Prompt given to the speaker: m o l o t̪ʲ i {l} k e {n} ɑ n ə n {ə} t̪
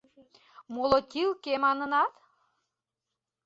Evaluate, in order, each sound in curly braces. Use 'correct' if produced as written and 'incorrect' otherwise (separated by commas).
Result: correct, incorrect, incorrect